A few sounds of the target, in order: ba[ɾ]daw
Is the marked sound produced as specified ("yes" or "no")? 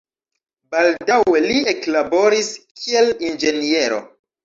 no